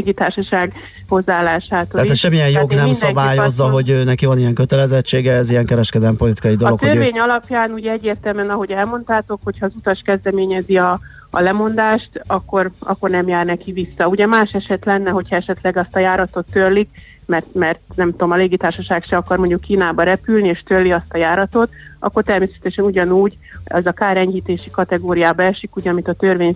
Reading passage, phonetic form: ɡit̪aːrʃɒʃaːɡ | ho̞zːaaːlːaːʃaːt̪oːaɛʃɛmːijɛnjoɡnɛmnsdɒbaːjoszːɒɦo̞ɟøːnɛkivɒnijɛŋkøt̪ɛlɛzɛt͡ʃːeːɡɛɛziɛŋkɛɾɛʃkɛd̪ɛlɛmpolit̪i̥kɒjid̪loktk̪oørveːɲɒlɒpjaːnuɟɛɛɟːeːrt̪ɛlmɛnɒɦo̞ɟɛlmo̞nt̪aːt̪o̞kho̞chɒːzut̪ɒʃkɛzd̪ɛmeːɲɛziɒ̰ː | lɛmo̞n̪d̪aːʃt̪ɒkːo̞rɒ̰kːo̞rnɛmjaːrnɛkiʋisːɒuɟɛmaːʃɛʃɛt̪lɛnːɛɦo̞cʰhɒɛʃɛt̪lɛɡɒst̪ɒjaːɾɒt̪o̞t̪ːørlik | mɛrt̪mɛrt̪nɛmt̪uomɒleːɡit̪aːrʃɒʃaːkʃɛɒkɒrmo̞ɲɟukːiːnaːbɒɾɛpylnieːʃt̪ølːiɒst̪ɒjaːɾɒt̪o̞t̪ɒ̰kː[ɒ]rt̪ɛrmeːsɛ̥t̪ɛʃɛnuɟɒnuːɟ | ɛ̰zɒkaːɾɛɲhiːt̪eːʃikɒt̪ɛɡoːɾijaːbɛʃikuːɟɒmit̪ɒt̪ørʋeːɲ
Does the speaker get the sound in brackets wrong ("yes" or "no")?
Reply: yes